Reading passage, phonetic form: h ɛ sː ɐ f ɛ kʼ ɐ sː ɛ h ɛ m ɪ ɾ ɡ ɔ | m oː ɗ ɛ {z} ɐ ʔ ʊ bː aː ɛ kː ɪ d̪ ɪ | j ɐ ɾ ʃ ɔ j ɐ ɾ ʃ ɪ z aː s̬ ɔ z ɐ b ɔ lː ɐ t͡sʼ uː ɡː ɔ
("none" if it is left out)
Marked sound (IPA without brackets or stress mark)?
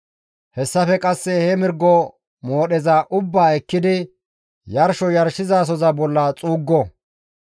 z